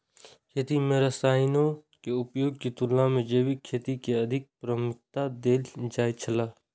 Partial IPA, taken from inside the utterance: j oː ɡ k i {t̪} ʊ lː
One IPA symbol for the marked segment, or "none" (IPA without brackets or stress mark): t̪